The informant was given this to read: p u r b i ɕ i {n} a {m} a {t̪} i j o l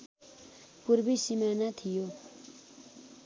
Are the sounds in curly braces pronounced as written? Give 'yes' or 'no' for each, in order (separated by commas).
no, no, no